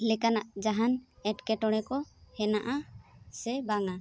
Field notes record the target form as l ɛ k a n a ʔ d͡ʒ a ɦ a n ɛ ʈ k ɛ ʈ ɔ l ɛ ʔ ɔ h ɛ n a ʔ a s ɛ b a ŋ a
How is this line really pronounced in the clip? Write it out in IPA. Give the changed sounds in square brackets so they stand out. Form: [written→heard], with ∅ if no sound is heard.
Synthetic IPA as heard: l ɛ k a n a ʔ d͡ʒ a ɦ a n ɛ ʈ k ɛ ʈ ɔ [l→ɽ] ɛ [ʔ→k] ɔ h ɛ n a ʔ a s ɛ b a ŋ a